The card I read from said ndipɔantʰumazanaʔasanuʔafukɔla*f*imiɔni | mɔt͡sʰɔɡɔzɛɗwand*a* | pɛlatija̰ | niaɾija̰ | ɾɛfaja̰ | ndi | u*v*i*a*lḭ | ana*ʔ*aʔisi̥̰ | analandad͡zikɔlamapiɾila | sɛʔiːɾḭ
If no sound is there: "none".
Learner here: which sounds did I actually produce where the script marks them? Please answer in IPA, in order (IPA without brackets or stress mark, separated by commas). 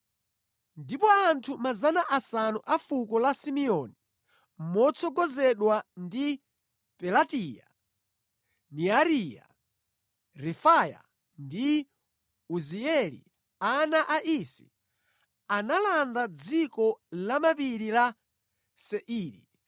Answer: s, i, z, ɛ, ʔ